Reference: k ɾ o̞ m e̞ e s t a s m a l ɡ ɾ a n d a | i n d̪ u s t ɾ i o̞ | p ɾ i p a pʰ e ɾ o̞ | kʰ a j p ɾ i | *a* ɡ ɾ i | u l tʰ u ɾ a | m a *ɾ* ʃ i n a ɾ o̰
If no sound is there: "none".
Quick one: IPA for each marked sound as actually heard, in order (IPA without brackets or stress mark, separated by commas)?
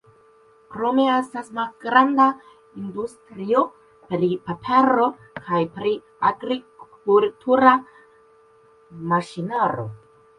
a, none